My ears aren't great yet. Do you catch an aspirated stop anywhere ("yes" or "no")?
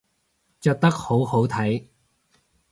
yes